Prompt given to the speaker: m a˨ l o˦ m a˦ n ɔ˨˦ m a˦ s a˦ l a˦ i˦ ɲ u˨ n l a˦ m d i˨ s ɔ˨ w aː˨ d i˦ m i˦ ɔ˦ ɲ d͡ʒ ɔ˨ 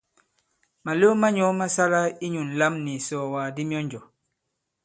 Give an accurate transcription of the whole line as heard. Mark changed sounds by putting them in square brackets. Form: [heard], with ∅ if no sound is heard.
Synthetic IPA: m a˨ l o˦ m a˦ [ɲ] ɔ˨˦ m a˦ s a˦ l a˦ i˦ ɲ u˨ n l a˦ m [n] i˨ s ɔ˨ w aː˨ d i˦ m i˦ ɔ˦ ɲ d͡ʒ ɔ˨